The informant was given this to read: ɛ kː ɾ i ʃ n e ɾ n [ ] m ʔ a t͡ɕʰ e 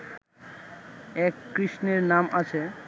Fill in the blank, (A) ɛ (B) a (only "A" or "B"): B